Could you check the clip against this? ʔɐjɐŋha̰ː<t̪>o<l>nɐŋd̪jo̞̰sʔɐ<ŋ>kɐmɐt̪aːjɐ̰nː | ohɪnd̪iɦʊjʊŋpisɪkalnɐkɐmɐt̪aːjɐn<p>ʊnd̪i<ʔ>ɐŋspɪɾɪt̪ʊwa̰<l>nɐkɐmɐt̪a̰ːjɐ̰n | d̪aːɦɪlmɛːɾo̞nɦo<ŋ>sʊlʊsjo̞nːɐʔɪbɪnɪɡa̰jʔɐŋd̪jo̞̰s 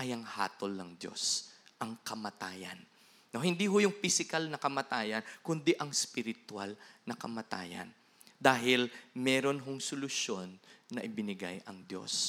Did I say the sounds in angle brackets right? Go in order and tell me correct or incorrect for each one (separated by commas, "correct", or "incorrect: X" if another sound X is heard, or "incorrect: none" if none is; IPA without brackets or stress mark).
correct, correct, correct, incorrect: k, correct, correct, correct